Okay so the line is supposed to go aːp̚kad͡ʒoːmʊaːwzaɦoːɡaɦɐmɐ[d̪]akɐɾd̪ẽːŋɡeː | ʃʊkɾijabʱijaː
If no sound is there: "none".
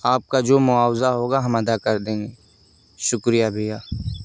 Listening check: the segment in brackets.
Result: d̪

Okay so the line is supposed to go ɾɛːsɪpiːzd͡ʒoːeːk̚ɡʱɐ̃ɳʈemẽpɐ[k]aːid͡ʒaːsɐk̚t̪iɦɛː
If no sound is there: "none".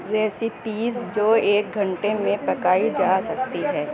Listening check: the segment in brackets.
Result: k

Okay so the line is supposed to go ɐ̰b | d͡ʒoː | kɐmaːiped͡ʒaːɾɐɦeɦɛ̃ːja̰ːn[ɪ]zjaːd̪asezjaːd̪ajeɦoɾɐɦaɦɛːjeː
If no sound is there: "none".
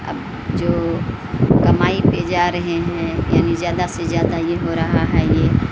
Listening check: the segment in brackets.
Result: i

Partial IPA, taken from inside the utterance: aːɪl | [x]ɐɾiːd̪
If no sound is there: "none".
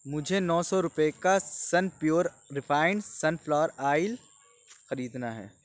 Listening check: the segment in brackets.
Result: x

